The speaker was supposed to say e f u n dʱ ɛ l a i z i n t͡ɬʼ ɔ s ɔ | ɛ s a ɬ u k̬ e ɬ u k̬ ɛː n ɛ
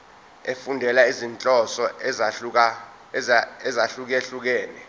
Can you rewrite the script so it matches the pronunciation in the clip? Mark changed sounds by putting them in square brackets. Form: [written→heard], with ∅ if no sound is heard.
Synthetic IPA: e f u n dʱ ɛ l a i z i n t͡ɬʼ ɔ s ɔ | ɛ [s→z] a ɬ u k̬ e ɬ u k̬ ɛː n ɛ